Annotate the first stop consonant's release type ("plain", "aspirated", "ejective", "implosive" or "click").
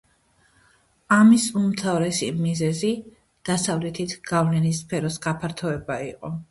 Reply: aspirated